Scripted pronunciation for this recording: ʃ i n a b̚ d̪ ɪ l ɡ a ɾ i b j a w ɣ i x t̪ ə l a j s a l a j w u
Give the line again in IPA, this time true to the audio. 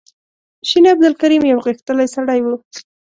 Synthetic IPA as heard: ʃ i n a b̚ d̪ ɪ l k a ɾ i m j a w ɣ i x t̪ ə l a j s a ɽ a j w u